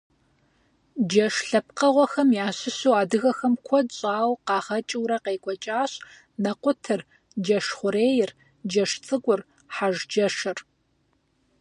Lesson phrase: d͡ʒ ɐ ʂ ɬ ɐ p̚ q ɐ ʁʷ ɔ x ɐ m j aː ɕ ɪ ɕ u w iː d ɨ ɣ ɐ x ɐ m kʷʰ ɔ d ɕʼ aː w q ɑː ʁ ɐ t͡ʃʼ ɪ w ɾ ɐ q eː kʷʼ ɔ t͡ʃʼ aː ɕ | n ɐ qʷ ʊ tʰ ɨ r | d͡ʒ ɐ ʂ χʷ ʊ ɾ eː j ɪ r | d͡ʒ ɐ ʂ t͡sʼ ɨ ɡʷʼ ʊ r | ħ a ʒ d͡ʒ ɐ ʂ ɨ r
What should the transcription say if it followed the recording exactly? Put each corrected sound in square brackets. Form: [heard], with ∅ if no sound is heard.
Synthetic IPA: d͡ʒ ɐ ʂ ɬ ɐ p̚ q ɐ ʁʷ ɔ x ɐ m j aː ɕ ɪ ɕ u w [aː] d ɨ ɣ ɐ x ɐ m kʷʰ ɔ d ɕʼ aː w q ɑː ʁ ɐ t͡ʃʼ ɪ w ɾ ɐ q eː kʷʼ ɔ t͡ʃʼ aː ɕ | n ɐ qʷ ʊ tʰ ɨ r | d͡ʒ ɐ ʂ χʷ ʊ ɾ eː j ɪ r | d͡ʒ ɐ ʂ t͡sʼ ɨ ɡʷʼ ʊ r | ħ a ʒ d͡ʒ ɐ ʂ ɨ r